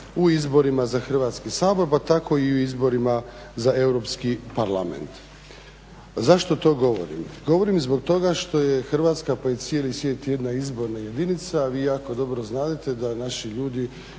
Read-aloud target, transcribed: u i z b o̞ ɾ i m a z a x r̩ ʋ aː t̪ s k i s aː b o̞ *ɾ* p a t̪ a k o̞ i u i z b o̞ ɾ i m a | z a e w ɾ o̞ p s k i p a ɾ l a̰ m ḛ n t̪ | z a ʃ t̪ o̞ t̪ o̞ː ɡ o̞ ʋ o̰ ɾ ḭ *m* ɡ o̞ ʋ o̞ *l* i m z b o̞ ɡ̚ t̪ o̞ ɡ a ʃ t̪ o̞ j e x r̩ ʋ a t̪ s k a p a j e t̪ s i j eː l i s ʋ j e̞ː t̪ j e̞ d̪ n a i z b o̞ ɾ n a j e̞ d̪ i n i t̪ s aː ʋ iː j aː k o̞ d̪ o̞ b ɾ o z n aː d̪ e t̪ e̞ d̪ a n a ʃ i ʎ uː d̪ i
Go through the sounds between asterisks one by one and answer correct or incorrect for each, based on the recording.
correct, correct, incorrect

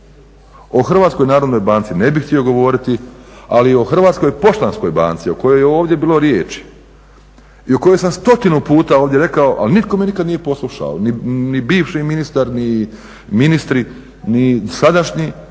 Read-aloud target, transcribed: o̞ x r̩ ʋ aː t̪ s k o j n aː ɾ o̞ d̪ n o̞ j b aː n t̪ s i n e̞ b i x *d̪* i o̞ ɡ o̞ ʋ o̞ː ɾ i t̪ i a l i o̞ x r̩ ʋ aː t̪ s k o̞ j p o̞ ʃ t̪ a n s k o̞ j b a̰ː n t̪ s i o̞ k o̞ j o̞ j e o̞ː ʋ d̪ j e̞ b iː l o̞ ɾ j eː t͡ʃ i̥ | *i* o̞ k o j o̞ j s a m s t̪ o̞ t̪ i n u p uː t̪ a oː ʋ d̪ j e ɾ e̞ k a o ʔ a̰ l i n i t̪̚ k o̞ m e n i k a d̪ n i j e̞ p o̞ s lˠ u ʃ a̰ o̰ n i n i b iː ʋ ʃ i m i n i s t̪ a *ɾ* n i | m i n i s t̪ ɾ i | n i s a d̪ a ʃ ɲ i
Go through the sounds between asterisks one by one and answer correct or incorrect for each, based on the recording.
incorrect, correct, correct

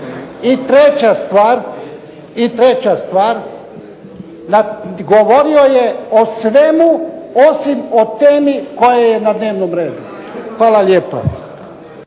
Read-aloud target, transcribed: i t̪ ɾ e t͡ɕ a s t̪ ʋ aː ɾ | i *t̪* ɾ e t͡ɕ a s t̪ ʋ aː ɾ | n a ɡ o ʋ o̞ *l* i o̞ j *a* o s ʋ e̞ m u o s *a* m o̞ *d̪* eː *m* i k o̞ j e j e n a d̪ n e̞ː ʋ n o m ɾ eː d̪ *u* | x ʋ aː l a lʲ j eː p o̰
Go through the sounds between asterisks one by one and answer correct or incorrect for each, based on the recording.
correct, incorrect, incorrect, incorrect, incorrect, correct, correct

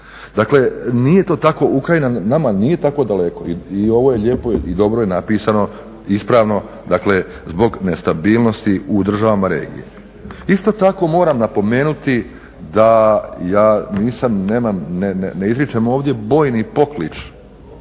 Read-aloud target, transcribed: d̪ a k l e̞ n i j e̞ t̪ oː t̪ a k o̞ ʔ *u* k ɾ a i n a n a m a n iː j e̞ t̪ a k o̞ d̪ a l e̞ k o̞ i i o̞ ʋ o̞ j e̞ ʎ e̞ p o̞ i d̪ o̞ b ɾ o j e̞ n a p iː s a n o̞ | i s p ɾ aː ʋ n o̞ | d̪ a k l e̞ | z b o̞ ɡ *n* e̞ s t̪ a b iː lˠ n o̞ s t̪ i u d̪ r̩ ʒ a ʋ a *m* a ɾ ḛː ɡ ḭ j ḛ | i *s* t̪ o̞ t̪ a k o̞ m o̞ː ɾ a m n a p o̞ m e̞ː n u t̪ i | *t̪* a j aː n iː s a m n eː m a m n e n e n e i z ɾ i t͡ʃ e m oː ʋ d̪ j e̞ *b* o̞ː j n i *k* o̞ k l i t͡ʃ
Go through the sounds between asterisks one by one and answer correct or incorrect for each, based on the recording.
correct, correct, correct, correct, incorrect, correct, incorrect

